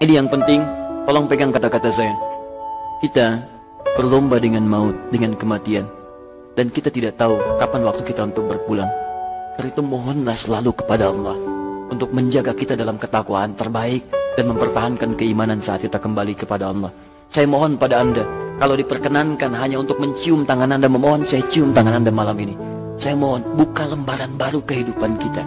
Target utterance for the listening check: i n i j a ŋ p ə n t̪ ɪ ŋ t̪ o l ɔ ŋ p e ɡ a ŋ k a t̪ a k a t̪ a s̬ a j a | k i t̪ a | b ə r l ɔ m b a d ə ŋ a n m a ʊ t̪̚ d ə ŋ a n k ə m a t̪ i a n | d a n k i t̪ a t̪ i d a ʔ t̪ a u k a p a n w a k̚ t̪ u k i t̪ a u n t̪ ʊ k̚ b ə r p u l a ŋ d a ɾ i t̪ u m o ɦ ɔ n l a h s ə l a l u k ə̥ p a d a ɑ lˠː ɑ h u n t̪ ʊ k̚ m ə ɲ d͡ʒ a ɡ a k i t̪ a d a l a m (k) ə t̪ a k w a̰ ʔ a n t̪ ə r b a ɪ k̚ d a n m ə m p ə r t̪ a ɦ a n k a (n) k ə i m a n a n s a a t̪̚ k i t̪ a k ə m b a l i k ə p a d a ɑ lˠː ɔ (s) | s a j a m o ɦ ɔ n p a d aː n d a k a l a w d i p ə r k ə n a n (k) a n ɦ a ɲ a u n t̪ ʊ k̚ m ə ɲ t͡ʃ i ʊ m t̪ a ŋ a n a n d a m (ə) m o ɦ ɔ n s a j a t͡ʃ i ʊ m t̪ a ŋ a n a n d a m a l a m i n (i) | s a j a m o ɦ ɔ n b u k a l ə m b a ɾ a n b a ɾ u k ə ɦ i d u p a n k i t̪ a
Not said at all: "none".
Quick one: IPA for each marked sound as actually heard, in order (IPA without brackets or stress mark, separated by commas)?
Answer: k, n, h, k, ə, i